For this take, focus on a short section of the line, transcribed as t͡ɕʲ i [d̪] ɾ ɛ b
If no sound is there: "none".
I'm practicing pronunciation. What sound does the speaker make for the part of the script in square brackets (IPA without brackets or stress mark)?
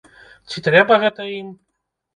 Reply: t̪